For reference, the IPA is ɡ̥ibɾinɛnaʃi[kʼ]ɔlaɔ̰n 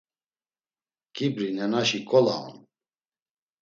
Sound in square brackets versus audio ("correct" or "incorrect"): correct